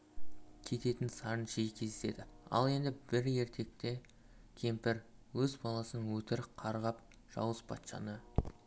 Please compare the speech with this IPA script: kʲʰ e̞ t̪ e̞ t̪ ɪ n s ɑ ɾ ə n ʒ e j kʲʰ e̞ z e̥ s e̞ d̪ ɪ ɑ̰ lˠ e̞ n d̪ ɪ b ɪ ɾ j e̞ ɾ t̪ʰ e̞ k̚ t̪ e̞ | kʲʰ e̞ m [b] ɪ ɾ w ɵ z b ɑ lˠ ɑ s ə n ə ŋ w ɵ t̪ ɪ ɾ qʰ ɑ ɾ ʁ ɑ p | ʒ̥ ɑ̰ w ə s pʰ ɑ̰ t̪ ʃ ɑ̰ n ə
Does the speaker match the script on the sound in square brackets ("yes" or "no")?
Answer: no